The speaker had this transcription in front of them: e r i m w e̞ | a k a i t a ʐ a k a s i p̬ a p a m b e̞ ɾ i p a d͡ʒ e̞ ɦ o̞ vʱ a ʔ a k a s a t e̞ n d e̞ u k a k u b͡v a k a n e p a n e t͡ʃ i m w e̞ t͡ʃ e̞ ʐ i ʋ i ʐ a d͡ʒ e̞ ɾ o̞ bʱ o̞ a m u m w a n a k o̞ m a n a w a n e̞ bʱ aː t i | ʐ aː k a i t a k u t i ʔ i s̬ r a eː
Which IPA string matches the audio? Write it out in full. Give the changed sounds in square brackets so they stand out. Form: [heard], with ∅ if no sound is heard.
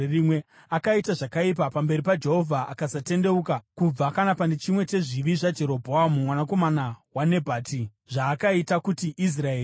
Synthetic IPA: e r i m w e̞ | a k a i t a ʐ a k a [∅] i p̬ a p a m b e̞ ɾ i p a d͡ʒ e̞ ɦ o̞ vʱ a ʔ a k a s a t e̞ n d e̞ u k a k u b͡v a k a n [a] p a n e t͡ʃ i m w e̞ t͡ʃ e̞ ʐ i ʋ i ʐ a d͡ʒ e̞ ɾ o̞ bʱ o̞ a m u m w a n a k o̞ m a n a w a n e̞ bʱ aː t i | ʐ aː k a i t a k u t i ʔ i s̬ r a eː